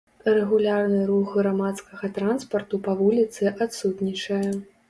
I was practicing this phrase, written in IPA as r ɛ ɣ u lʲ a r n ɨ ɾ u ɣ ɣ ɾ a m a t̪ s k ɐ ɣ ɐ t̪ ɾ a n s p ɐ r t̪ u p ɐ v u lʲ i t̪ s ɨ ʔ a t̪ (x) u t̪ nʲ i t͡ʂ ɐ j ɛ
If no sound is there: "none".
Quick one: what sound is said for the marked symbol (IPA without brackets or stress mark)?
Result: s